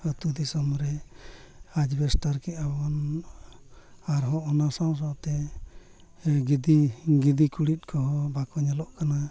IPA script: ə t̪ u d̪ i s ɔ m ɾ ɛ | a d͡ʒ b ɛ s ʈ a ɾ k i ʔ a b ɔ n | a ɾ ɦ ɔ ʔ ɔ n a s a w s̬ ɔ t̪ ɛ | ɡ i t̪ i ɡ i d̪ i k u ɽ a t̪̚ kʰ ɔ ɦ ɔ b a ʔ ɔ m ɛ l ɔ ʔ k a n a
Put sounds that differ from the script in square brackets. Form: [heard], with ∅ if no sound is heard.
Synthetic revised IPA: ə t̪ u d̪ i s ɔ m ɾ ɛ | a d͡ʒ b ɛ s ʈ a ɾ k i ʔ a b ɔ n | a ɾ ɦ ɔ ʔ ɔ n a s a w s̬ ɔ t̪ ɛ | ɡ i [d̪] i ɡ i d̪ i k u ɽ [i] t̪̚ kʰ ɔ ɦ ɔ b a [k] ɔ [ɲ] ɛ l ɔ ʔ k a n a